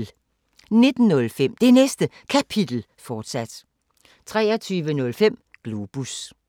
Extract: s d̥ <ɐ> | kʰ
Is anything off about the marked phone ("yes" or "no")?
yes